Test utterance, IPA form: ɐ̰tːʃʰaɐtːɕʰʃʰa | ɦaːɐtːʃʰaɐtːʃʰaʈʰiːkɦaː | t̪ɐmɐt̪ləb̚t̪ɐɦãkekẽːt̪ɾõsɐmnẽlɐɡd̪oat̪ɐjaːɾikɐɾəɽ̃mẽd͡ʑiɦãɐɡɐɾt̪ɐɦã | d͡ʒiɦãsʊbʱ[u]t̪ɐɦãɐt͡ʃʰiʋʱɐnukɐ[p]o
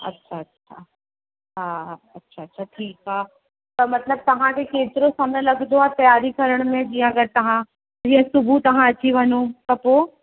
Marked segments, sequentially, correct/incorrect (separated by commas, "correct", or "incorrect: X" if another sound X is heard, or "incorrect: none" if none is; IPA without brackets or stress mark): correct, correct